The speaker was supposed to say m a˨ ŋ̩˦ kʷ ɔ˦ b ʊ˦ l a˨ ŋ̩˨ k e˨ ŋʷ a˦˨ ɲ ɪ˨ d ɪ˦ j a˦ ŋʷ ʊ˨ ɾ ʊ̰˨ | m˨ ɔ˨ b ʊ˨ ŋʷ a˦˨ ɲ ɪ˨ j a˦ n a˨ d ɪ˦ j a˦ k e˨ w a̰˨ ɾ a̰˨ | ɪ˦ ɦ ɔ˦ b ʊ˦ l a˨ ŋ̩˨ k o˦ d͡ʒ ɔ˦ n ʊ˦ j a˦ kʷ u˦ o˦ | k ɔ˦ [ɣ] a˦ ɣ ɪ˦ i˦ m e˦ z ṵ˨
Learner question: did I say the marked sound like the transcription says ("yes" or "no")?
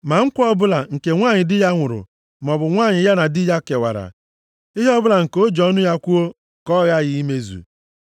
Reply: yes